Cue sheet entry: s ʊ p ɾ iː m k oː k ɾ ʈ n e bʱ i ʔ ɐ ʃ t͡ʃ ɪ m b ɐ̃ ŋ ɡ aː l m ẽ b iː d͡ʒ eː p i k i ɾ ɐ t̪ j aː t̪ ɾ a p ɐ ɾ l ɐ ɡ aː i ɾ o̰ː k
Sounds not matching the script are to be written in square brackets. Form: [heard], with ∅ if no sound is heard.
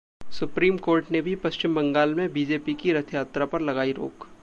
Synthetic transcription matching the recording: s ʊ p ɾ iː m k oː [∅] ɾ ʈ n e bʱ i [p] ɐ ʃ t͡ʃ ɪ m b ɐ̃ ŋ ɡ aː l m ẽ b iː d͡ʒ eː p i k i ɾ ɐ [t̪ʰ] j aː t̪ ɾ a p ɐ ɾ l ɐ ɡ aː i ɾ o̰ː k